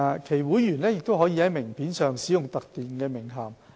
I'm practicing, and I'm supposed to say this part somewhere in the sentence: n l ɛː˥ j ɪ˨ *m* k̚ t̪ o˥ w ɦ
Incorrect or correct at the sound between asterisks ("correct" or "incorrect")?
incorrect